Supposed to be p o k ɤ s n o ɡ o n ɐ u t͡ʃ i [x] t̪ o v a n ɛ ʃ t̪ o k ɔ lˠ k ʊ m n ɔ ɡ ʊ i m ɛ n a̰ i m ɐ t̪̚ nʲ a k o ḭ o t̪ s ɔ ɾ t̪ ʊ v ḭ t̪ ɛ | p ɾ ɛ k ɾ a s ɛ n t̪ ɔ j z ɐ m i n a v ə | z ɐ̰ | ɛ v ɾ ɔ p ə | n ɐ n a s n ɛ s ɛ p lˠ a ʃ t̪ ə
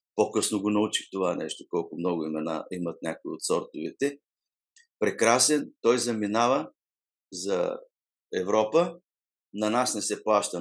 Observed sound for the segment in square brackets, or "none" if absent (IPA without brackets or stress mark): x